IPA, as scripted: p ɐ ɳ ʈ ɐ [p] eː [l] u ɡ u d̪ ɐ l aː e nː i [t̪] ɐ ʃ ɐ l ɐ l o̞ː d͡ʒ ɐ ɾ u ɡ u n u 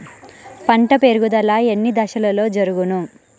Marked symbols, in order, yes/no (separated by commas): yes, no, no